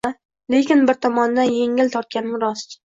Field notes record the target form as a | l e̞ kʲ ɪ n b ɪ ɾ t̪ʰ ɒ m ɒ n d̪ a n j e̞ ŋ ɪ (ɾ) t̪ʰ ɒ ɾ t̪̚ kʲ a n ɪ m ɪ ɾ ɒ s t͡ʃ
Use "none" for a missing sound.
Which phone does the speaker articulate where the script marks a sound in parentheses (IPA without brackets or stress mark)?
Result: l